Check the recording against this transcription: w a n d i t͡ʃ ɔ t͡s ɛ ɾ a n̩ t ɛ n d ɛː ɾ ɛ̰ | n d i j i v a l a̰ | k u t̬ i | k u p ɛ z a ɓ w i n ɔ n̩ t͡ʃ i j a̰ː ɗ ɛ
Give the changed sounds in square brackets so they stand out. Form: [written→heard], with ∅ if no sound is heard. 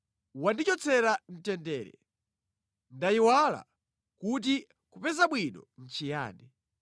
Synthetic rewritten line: w a n d i t͡ʃ ɔ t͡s ɛ ɾ a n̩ t ɛ n d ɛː ɾ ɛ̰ | n d [i→a] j i [v→w] a l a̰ | k u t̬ i | k u p ɛ z a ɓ w i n ɔ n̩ t͡ʃ i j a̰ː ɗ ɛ